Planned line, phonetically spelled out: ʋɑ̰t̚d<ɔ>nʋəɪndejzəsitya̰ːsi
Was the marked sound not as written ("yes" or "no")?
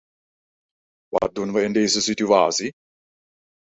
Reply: yes